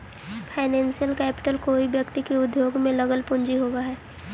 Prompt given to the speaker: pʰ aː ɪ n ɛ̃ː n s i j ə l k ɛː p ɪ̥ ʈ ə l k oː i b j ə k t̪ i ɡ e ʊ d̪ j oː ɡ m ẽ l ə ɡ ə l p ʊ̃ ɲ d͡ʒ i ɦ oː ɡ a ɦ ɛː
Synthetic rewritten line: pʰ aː ɪ n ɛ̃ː n s i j ə l k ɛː p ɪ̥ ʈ ə l k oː i b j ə k t̪ i k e ʊ d̪ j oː ɡ m ẽ l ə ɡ ə l p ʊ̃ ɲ d͡ʒ i ɦ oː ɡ a ɦ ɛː